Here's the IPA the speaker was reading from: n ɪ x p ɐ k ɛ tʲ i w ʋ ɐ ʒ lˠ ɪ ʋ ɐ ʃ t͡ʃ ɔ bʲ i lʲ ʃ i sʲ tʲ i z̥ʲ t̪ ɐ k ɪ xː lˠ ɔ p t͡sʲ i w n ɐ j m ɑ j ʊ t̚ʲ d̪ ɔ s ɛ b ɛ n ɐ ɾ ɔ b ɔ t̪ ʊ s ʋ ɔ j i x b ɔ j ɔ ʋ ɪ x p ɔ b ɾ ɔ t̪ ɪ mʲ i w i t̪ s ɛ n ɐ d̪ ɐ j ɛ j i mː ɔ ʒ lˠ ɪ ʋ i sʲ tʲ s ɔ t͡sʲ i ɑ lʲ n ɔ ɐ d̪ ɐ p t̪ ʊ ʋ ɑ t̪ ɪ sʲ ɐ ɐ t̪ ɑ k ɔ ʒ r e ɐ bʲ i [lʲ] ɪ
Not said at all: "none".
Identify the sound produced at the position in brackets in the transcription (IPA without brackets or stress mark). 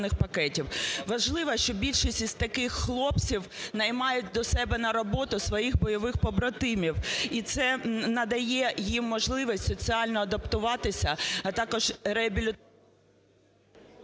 lʲ